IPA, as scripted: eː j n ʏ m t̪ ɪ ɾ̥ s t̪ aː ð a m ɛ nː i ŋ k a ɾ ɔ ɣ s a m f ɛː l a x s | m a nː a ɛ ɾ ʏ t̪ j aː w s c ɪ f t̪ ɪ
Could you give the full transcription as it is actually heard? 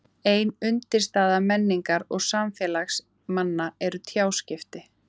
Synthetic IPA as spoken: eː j n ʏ n t̪ ɪ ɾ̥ s t̪ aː ð a m ɛ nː i ŋ k a ɾ ɔ ɣ s a m f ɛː l a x s | m a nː a ɛ ɾ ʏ t̪ʰ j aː w s c ɪ f t̪ ɪ